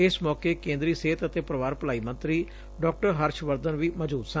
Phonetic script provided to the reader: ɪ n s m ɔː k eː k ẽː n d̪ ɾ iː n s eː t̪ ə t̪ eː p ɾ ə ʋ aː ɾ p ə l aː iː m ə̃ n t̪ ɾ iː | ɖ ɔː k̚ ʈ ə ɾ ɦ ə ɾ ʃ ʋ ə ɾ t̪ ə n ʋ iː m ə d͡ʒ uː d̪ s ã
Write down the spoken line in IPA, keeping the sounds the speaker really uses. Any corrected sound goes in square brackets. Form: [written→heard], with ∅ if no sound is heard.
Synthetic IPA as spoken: ɪ [n→∅] s m ɔː k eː k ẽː n d̪ ɾ iː [n→∅] s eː t̪ ə t̪ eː p ɾ ə ʋ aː ɾ p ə l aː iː m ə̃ n t̪ ɾ iː | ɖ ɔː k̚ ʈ ə ɾ ɦ ə ɾ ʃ ʋ ə ɾ [t̪→d̪] ə n ʋ iː m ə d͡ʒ uː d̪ s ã